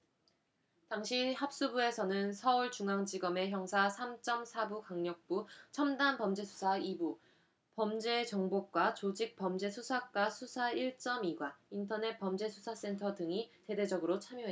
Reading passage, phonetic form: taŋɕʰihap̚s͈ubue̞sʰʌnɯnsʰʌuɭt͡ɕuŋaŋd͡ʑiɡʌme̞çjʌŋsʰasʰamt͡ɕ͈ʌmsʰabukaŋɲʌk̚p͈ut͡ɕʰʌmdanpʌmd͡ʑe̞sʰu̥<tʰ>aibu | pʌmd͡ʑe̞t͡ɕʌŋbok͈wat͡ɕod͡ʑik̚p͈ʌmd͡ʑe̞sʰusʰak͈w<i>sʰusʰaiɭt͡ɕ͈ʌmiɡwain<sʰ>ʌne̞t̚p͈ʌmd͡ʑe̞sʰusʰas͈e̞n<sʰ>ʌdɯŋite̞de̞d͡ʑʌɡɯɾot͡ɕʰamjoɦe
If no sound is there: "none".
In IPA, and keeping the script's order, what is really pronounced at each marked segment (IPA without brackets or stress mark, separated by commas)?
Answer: sʰ, a, tʰ, tʰ